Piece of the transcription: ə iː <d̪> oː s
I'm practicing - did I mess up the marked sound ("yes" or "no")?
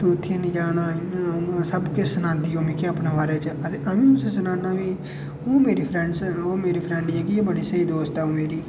no